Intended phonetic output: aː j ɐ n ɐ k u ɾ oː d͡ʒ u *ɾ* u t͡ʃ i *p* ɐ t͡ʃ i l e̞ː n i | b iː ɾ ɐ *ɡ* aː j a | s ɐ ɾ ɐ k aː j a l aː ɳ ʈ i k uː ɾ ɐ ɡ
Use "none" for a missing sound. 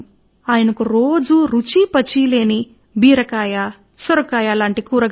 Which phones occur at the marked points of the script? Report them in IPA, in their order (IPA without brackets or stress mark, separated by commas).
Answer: ɾ, p, k